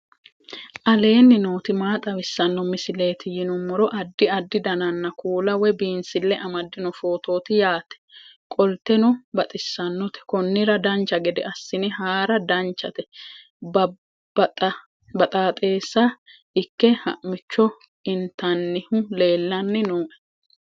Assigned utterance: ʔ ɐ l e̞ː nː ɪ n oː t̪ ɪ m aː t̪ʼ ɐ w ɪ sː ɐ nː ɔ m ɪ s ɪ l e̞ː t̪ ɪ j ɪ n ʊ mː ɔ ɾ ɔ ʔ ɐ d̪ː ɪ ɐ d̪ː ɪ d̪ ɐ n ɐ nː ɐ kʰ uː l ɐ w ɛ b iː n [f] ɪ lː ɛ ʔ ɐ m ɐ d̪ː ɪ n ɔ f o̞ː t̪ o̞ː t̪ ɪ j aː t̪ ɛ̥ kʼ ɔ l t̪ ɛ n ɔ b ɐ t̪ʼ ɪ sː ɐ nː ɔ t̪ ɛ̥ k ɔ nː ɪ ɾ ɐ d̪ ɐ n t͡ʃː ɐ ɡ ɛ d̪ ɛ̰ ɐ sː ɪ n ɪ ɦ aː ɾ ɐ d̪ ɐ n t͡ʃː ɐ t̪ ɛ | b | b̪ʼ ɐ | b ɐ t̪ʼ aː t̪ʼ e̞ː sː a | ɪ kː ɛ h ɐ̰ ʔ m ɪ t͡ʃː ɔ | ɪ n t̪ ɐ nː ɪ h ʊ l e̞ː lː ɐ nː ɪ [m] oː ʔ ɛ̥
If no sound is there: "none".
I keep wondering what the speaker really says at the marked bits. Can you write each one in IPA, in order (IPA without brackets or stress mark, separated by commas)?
s, n